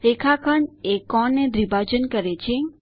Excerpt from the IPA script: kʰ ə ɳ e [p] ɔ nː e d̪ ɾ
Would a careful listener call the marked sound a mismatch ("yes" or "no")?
yes